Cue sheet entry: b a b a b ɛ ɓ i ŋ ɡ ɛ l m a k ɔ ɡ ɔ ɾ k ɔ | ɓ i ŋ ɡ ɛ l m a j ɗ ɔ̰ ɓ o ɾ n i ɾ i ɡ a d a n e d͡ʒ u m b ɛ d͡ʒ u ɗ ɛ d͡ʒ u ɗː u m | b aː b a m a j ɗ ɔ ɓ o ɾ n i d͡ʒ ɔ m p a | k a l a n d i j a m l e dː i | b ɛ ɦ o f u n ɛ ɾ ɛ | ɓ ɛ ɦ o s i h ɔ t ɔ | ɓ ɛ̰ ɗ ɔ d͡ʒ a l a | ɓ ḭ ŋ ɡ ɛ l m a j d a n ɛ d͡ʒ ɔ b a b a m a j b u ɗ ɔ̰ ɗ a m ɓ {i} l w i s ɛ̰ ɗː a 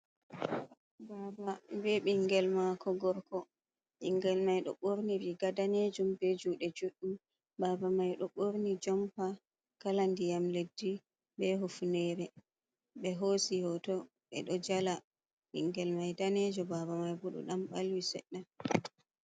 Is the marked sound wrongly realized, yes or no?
yes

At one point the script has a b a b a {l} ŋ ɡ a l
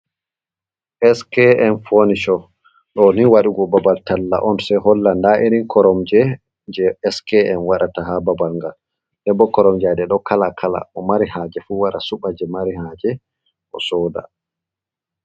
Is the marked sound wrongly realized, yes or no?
no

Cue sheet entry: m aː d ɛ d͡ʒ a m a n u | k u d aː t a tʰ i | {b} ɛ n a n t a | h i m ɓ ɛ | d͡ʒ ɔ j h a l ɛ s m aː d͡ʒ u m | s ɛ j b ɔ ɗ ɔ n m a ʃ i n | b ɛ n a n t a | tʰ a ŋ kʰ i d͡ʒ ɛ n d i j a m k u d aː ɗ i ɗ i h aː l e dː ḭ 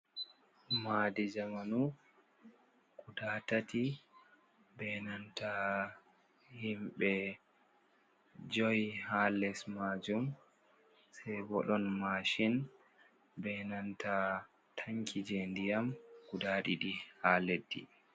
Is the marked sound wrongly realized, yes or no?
no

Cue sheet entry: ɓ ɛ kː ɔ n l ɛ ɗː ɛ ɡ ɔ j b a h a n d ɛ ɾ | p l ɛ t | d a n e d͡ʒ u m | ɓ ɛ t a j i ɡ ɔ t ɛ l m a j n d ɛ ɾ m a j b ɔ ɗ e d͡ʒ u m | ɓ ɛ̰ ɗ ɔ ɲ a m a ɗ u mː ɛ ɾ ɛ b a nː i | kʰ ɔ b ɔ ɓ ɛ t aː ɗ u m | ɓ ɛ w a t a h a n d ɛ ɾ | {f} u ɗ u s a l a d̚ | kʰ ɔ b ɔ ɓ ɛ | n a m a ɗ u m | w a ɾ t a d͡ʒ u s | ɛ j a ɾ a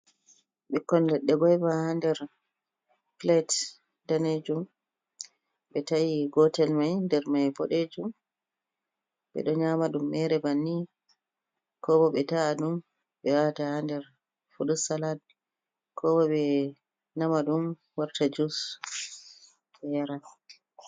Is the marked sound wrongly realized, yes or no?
no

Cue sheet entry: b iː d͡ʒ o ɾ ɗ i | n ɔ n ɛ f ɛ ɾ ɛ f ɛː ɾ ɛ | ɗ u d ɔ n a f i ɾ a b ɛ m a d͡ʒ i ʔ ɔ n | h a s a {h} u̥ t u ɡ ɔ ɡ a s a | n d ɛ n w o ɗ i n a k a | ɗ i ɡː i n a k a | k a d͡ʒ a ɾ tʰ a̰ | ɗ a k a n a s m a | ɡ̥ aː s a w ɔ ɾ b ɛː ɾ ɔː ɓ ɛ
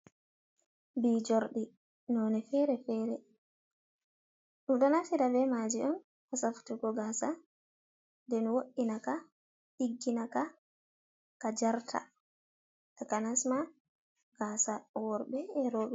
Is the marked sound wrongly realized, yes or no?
yes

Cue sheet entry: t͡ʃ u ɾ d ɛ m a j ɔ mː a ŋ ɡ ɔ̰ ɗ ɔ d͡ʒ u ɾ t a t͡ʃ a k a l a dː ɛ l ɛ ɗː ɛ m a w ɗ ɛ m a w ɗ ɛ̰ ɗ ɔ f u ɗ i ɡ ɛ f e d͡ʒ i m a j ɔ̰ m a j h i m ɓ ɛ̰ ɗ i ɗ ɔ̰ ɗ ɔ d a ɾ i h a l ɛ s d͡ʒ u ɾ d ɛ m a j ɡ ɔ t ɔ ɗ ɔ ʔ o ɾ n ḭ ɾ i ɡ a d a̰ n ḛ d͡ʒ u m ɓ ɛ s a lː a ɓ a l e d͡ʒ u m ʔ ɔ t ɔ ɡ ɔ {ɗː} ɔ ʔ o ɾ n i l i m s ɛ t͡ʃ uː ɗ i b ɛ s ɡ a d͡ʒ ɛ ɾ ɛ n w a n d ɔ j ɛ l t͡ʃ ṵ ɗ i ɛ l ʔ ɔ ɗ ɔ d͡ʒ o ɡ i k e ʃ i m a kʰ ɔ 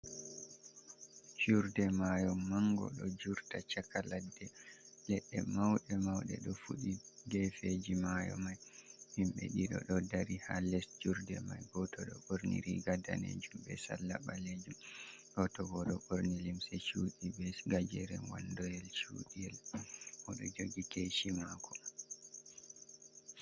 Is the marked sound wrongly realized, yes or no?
yes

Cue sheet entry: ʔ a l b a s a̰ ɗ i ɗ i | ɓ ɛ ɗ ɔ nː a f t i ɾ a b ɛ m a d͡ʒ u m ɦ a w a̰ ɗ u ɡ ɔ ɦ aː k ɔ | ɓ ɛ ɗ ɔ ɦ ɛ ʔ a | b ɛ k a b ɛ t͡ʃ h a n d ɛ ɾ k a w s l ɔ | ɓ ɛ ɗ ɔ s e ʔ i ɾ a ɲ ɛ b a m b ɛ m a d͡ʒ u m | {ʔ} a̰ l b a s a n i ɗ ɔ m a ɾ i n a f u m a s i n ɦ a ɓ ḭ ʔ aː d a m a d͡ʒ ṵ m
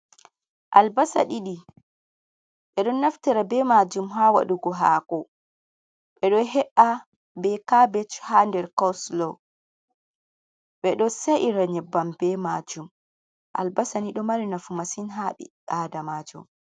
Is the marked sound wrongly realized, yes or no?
no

